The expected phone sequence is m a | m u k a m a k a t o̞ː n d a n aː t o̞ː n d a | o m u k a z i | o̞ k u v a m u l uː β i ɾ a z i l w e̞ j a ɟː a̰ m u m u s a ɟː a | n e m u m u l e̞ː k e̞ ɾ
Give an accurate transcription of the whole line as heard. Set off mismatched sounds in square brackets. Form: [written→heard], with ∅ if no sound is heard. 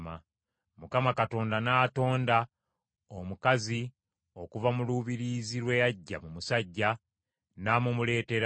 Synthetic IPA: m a | m u k a m a k a t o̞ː n d a n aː t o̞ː n d a | o m u k a z i | o̞ k u v a m u l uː β i ɾ [a→i] z i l w e̞ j a ɟː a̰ m u m u s a ɟː a | n [e→a] m u m u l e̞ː [k→t] e̞ ɾ